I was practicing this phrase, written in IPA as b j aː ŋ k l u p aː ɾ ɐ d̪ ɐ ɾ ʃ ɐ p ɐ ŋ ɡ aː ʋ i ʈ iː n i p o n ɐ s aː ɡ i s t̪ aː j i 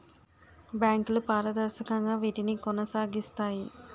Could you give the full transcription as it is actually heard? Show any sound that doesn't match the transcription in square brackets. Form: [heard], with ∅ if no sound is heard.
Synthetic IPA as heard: b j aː ŋ k l u p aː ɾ ɐ d̪ ɐ ɾ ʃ ɐ [k] ɐ ŋ ɡ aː ʋ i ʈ [i] n i [k] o n ɐ s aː ɡ i s t̪ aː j i